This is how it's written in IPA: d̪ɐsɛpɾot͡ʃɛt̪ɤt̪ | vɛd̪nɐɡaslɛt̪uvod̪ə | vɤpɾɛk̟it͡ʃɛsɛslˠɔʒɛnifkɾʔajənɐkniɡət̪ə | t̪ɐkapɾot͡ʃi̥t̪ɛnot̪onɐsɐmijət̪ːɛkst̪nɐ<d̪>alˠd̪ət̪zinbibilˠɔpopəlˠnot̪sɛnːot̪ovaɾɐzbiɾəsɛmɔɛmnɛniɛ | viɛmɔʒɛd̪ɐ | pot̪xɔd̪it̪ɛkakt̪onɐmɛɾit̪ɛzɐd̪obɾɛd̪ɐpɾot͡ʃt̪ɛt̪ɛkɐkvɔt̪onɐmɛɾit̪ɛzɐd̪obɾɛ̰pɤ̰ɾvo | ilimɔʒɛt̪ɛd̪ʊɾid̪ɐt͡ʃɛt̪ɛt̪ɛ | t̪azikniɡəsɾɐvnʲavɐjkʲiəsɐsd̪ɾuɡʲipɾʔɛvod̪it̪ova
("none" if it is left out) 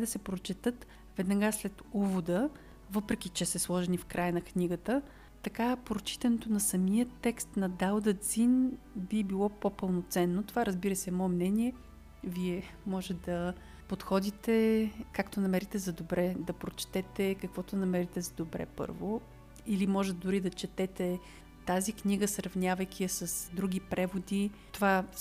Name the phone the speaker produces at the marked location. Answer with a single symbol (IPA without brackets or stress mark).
d̪